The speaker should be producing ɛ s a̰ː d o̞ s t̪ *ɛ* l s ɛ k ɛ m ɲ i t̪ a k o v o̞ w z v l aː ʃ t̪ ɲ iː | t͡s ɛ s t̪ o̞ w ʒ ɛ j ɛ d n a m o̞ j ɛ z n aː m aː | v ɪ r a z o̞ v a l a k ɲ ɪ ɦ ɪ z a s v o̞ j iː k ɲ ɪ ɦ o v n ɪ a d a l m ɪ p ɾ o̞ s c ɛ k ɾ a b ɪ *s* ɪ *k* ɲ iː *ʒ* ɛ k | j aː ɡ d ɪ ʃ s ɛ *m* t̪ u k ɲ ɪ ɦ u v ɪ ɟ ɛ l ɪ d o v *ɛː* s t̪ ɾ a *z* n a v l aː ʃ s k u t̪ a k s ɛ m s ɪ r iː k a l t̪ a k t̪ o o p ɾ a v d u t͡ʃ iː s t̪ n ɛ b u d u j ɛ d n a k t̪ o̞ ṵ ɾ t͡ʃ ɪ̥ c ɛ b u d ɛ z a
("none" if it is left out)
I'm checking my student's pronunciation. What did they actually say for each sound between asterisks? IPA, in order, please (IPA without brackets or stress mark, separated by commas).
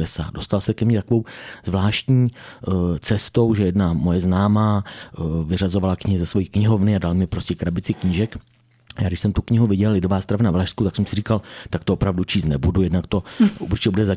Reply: a, t͡s, k, ʒ, m, aː, v